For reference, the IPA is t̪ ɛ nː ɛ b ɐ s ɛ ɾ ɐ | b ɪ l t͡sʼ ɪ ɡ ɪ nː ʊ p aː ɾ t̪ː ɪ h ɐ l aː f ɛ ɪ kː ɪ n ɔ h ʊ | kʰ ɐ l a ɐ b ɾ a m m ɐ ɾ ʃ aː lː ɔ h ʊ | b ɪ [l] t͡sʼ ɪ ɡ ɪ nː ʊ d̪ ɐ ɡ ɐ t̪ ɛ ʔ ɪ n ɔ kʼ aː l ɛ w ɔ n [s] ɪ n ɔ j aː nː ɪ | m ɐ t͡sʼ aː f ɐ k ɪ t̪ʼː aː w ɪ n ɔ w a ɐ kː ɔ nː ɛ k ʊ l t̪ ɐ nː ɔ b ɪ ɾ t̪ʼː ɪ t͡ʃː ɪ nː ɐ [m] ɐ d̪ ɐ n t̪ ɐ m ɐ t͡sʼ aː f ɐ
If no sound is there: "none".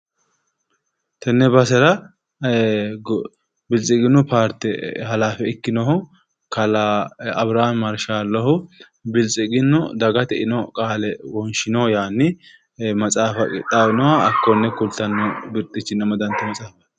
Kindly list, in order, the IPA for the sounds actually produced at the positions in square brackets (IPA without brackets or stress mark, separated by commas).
l, ʃ, m